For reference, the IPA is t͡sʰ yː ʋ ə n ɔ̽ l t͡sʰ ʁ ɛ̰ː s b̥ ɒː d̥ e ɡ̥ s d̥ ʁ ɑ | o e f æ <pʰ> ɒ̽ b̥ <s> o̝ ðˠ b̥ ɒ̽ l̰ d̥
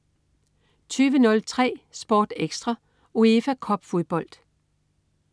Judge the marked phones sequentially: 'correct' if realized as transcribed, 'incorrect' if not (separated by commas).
incorrect, incorrect